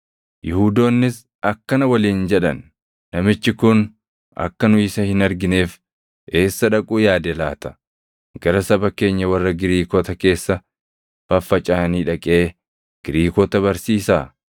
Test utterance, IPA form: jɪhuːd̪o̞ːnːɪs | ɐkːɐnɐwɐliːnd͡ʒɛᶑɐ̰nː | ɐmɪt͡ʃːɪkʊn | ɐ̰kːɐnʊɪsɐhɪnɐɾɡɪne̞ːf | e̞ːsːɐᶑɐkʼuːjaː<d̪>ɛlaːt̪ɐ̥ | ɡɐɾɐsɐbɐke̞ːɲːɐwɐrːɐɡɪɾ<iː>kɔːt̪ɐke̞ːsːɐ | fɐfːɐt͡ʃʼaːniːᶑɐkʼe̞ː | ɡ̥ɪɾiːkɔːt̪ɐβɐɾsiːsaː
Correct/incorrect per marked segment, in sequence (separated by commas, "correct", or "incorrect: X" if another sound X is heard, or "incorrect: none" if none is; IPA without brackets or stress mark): correct, correct